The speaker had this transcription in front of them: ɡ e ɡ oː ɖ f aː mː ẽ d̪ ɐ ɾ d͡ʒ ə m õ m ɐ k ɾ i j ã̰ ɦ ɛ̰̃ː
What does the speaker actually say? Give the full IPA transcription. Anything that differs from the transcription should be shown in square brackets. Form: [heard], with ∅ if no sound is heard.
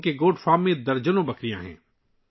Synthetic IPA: [k] e ɡ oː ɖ f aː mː ẽ d̪ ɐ ɾ d͡ʒ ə [n] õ [b] ɐ k ɾ i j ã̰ ɦ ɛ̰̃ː